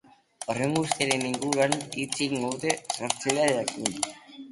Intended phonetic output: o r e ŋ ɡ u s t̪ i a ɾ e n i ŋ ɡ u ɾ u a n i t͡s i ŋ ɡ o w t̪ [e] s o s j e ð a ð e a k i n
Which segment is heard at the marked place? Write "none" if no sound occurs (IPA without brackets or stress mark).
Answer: e